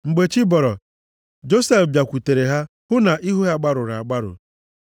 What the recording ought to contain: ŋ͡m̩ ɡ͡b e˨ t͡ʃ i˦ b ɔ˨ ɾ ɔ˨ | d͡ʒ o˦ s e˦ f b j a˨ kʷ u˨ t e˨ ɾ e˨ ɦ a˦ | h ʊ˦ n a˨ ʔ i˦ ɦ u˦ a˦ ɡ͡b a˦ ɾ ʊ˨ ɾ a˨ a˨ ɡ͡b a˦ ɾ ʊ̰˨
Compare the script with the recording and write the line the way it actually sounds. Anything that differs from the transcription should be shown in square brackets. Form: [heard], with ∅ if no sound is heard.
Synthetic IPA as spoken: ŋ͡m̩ ɡ͡b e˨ t͡ʃ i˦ b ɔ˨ ɾ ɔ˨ | d͡ʒ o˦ s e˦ f b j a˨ kʷ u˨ t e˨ ɾ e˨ ɦ a˦ | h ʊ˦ n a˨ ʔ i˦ ɦ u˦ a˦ ɡ͡b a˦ ɾ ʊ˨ ɾ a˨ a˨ ɡ͡b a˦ ɾ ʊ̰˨